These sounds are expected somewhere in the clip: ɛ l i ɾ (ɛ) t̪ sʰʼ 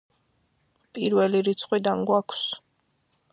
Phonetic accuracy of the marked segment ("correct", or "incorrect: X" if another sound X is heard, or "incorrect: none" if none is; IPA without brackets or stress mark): incorrect: i